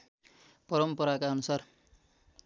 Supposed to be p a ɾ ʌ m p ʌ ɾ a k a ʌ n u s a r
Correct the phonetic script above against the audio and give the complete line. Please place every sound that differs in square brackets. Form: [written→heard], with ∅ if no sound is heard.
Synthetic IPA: p [a→ʌ] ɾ ʌ m p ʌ ɾ a k a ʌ n u s a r